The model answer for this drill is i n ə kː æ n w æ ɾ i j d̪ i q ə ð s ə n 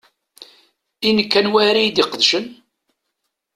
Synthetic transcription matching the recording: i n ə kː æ n w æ ɾ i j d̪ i q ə ð ʃ ə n